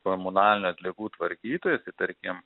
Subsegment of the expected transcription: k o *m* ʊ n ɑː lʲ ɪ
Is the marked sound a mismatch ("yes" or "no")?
no